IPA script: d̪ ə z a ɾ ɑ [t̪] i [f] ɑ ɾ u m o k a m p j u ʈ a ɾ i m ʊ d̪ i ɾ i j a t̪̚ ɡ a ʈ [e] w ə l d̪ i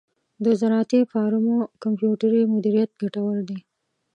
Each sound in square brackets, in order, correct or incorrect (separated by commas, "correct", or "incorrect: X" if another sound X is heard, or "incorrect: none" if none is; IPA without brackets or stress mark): correct, correct, incorrect: a